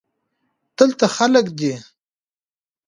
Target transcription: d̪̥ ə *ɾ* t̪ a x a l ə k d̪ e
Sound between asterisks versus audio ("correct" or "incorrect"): incorrect